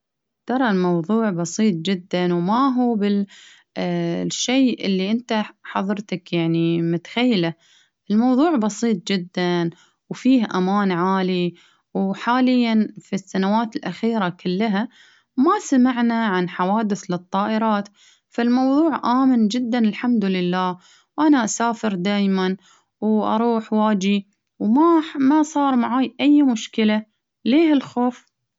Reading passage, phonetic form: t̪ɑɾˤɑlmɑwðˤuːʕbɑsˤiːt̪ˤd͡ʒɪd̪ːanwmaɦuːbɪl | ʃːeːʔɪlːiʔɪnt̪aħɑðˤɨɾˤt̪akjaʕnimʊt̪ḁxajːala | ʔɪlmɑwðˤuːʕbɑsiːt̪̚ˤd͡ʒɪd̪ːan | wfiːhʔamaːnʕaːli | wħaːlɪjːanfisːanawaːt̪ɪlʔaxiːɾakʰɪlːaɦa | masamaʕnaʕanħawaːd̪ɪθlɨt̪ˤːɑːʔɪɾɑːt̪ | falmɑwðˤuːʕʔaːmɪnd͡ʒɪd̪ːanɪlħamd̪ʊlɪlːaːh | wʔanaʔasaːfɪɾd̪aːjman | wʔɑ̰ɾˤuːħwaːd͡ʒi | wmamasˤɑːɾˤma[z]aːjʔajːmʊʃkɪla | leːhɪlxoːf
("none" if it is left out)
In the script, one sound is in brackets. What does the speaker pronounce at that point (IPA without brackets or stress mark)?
ʕ